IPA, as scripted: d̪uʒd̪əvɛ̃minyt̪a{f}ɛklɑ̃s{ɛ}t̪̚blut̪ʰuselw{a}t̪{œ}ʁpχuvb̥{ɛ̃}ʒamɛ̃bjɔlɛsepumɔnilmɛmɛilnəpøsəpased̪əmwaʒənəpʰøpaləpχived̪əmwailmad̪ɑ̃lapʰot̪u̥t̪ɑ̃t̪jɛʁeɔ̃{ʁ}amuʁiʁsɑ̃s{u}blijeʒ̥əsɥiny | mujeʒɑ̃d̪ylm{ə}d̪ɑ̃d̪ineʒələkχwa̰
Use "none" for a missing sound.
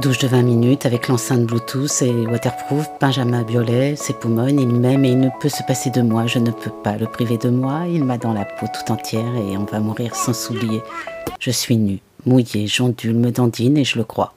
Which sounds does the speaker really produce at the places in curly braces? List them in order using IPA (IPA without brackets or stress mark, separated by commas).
v, ɛ̃, a, ɛ, ɛ̃, v, u, ə